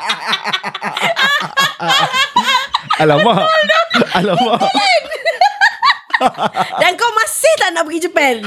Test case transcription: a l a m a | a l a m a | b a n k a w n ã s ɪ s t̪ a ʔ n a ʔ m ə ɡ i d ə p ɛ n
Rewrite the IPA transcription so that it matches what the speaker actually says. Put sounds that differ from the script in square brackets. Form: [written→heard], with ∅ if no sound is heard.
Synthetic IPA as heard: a l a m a | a l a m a | [b→d] a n k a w [n→m] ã s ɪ [s→h] t̪ a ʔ n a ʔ [m→b] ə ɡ i [d→d͡ʒ] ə p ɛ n